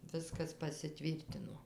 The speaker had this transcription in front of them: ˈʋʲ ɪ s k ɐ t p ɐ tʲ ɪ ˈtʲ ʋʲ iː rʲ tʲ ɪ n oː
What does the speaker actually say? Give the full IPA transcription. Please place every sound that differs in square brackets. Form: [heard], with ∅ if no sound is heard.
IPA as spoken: ˈʋʲ ɪ s k ɐ [s] p ɐ [sʲ] ɪ ˈtʲ ʋʲ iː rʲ tʲ ɪ n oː